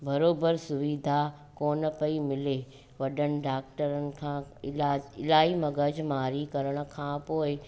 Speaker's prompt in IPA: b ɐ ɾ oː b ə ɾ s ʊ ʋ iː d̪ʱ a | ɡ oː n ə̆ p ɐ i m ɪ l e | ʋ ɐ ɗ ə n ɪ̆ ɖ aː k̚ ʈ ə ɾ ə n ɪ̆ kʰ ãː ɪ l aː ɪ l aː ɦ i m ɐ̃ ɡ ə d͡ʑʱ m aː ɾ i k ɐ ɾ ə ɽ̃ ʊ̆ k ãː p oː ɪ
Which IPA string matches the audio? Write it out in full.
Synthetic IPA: b ɐ ɾ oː b ə ɾ s ʊ ʋ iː d̪ʱ a | k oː n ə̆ p ɐ i m ɪ l e | ʋ ɐ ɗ ə n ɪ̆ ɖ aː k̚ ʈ ə ɾ ə n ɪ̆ kʰ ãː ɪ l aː ɪ l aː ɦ i m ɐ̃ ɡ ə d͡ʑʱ m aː ɾ i k ɐ ɾ ə ɽ̃ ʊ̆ kʰ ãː p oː ɪ